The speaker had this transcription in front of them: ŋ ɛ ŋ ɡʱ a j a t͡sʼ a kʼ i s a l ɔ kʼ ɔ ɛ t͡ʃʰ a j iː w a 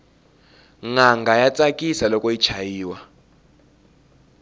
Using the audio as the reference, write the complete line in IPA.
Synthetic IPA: ŋ a ŋ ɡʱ a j a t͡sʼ a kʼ i s a l ɔ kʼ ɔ i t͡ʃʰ a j iː w a